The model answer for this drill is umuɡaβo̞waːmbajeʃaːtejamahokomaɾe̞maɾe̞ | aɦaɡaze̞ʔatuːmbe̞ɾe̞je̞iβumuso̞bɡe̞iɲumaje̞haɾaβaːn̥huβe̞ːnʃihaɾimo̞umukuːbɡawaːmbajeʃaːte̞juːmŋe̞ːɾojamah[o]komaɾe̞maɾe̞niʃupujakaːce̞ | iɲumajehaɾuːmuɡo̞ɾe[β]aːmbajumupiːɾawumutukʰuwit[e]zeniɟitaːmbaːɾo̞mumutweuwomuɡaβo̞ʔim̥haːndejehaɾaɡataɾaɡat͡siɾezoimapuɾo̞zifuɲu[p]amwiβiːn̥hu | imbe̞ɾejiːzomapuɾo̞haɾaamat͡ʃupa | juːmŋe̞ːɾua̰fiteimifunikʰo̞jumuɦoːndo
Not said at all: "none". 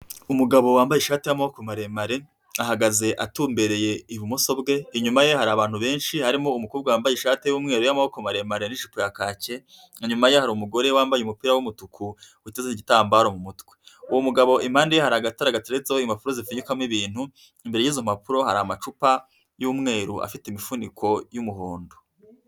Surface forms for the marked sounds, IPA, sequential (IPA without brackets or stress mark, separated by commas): o, w, e, k